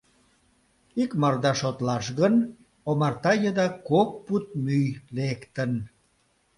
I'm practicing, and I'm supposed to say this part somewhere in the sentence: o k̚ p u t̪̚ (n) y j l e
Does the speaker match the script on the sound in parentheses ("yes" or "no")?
no